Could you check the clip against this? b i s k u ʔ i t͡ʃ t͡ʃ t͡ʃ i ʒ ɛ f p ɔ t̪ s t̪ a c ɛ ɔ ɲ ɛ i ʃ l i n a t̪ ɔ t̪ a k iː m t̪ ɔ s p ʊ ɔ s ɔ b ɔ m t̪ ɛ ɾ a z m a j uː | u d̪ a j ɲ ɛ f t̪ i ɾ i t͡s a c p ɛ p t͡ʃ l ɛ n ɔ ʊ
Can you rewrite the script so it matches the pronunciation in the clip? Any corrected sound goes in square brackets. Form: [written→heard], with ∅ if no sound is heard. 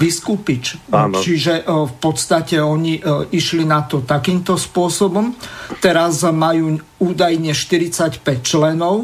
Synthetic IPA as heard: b i s k u [ʔ→p] i t͡ʃ t͡ʃ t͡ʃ i ʒ ɛ f p ɔ t̪ s t̪ a c ɛ ɔ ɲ [ɛ→i] i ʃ l i n a t̪ ɔ t̪ a k iː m t̪ ɔ s p ʊ ɔ s ɔ b ɔ m t̪ ɛ ɾ a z m a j uː | [u→uː] d̪ a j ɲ ɛ [f→ʃ] t̪ i ɾ i t͡s a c p ɛ [p→c] t͡ʃ l ɛ n ɔ ʊ